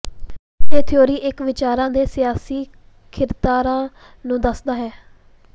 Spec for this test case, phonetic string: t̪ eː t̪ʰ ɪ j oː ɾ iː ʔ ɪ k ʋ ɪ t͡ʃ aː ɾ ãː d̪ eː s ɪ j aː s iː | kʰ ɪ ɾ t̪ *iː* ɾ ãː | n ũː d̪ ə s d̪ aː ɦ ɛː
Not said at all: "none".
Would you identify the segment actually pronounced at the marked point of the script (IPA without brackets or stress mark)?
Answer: aː